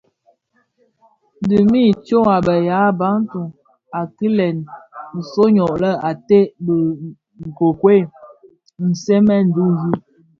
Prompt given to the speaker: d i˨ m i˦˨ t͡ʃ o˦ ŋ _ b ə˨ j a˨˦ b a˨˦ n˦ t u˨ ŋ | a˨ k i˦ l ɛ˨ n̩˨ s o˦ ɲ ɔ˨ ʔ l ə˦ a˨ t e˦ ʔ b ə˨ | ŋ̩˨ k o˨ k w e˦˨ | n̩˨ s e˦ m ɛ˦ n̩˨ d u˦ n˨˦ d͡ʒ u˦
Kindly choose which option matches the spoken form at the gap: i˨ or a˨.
a˨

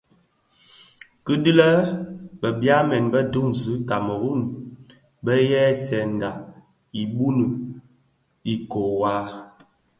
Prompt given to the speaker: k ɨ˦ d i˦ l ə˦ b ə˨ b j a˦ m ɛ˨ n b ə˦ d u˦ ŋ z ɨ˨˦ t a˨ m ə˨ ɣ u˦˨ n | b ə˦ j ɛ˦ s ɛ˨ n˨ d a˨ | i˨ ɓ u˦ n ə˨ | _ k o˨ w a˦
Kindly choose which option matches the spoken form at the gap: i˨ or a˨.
i˨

